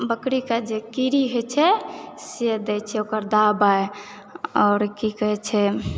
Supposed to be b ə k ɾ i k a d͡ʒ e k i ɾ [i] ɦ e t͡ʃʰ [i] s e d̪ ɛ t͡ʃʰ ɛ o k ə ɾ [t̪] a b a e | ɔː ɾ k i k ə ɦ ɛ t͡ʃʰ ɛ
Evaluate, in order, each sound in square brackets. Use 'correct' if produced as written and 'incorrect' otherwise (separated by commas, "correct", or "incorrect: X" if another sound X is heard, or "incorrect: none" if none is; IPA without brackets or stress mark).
correct, incorrect: ɛ, incorrect: d̪